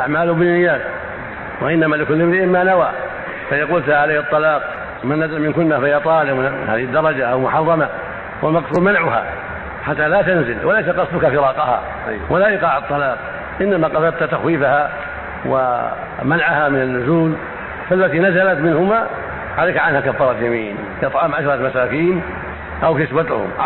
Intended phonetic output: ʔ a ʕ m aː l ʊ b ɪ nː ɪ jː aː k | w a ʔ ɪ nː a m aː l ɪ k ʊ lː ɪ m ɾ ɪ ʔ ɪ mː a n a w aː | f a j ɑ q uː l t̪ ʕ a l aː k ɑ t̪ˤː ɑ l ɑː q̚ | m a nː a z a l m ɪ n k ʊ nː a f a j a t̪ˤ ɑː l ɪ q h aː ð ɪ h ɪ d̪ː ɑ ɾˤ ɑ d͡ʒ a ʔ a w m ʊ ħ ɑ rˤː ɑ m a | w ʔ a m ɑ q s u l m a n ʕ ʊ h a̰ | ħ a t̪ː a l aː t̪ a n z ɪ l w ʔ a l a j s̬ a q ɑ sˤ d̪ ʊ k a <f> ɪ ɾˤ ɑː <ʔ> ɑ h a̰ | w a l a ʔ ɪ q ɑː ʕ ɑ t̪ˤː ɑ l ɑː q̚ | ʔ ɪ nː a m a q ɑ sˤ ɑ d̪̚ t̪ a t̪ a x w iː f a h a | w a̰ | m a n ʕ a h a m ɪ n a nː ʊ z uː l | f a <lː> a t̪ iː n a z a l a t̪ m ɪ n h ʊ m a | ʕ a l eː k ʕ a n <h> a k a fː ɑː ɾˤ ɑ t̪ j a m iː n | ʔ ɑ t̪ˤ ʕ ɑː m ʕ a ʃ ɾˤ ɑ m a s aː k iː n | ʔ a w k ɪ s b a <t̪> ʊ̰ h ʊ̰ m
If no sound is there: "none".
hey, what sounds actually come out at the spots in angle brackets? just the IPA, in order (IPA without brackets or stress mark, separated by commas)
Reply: f, q, lː, h, t̪